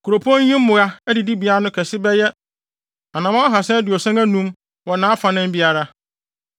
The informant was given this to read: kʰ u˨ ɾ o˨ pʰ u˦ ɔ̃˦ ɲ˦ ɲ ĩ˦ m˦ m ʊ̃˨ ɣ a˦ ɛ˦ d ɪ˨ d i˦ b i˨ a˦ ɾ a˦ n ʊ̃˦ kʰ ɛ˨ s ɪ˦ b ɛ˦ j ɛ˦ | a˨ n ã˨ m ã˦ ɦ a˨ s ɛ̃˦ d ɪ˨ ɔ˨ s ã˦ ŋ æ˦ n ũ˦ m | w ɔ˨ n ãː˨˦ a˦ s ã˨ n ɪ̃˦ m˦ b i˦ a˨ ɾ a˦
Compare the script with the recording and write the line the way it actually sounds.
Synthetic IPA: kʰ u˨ ɾ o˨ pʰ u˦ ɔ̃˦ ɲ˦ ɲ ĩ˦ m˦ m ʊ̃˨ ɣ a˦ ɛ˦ d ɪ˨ d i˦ b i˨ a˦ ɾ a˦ n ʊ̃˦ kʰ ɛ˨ s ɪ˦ b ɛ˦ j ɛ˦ | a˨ n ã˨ m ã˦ ɦ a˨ s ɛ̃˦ d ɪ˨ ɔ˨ s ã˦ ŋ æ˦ n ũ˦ m | w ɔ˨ n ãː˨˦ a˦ f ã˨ n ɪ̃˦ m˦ b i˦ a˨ ɾ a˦